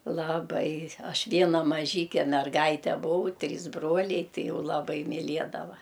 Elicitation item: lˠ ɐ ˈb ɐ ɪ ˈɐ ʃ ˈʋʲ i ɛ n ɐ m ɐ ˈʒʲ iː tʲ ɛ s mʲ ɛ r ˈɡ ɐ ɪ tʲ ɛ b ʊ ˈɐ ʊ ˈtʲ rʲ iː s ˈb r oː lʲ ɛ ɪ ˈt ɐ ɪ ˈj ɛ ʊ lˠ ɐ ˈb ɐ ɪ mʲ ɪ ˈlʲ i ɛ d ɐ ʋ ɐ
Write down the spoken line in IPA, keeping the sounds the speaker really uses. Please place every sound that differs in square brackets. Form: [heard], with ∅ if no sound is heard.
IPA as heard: lˠ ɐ ˈb ɐ ɪ ˈɐ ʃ ˈʋʲ i ɛ n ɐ m ɐ ˈʒʲ iː [kʲ] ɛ [∅] mʲ ɛ r ˈɡ ɐ ɪ tʲ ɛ b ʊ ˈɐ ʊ ˈtʲ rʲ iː s ˈb r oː lʲ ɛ ɪ ˈt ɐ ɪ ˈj ɛ ʊ lˠ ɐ ˈb ɐ ɪ mʲ ɪ ˈlʲ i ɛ d ɐ ʋ ɐ